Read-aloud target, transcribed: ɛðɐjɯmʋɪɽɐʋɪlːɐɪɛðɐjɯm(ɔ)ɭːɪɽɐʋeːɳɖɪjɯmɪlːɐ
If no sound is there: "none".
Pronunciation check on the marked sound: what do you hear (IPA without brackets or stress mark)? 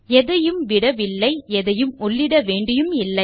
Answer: ɔ